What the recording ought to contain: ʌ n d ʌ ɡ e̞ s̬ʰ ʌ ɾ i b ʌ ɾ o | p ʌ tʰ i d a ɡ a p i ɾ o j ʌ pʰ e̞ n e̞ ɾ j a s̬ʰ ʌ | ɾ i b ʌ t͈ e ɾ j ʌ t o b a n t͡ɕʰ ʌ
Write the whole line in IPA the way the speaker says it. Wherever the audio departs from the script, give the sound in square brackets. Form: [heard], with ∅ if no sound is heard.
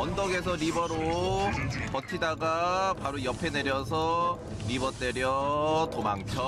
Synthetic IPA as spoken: ʌ n d ʌ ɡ e̞ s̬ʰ ʌ ɾ i b ʌ ɾ o | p ʌ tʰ i d a ɡ a p [a] ɾ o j ʌ pʰ e̞ n e̞ ɾ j [ʌ] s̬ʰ ʌ | ɾ i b ʌ t͈ e ɾ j ʌ t o [m] a [ŋ] t͡ɕʰ ʌ